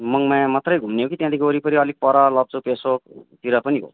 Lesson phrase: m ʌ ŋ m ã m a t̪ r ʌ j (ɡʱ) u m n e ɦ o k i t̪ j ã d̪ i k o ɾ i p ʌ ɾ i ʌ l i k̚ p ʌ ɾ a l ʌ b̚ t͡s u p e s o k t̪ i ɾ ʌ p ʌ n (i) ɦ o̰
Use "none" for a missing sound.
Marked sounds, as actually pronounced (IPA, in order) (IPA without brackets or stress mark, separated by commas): ɡʱ, i